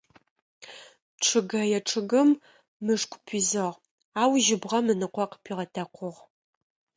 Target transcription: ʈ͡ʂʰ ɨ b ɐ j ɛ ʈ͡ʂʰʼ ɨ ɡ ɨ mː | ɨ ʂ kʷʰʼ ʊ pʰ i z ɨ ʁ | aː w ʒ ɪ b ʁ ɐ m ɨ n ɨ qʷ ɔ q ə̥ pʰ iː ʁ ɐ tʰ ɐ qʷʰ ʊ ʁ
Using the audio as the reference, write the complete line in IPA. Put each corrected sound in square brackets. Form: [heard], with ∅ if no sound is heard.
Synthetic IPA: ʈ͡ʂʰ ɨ [ɡ] ɐ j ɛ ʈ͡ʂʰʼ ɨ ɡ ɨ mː | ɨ ʂ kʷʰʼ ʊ pʰ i z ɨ ʁ | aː w ʒ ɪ b ʁ ɐ m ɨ n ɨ qʷ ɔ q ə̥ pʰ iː ʁ ɐ tʰ ɐ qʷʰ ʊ ʁ